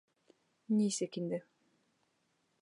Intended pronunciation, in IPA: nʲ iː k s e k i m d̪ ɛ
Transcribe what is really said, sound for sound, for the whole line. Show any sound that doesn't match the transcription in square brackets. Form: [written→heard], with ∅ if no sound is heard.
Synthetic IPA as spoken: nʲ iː [k→∅] s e k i [m→n] d̪ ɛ

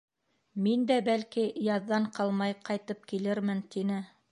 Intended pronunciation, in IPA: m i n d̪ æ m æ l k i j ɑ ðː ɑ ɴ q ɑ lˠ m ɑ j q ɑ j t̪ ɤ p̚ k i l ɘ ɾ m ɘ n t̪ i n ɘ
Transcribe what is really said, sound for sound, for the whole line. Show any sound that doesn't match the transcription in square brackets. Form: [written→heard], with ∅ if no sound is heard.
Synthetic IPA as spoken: m i n d̪ æ [m→b] æ l k i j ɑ ðː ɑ ɴ q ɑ lˠ m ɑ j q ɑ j t̪ ɤ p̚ k i l ɘ ɾ m ɘ n t̪ i n ɘ

